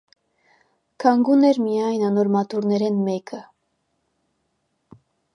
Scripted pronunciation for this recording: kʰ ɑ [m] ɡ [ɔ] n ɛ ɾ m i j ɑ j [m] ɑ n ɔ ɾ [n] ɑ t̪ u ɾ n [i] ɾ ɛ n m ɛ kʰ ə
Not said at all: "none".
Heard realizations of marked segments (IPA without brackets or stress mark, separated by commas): ŋ, u, n, m, ɛ